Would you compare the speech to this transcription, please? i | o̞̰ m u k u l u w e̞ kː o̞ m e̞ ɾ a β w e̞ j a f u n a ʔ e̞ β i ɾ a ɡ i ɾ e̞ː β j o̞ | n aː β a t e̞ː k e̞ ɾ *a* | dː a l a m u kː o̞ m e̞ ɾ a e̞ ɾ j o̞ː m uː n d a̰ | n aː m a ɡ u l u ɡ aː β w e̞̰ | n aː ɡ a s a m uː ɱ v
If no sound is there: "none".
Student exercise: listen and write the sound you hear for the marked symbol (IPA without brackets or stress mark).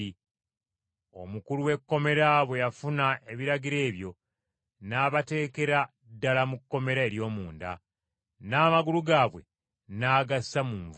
a